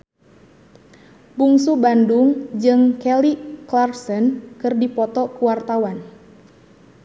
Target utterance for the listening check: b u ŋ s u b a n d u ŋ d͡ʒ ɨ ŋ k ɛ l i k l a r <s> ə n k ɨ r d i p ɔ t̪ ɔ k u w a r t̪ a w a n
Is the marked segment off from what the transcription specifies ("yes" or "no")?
no